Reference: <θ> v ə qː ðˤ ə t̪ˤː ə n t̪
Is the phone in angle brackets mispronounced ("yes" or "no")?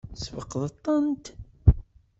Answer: yes